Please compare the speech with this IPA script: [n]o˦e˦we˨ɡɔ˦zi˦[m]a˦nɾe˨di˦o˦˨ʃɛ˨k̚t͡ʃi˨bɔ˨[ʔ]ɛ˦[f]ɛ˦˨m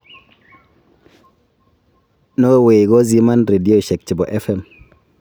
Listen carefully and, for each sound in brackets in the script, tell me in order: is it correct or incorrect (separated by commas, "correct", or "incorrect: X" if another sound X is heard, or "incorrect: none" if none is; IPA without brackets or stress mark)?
correct, correct, correct, correct